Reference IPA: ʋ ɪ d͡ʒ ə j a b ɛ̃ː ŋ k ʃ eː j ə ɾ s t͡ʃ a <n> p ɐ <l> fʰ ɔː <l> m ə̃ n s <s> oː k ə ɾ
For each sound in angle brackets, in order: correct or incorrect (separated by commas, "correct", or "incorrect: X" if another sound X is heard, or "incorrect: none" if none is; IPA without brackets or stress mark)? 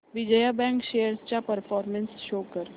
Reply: incorrect: none, incorrect: ɾ, incorrect: ɾ, incorrect: ʃ